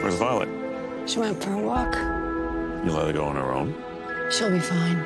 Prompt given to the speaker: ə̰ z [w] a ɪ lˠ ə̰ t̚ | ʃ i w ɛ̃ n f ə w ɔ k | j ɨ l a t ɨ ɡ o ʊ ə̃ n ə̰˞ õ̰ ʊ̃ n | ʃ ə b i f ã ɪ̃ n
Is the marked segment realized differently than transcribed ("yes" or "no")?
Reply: yes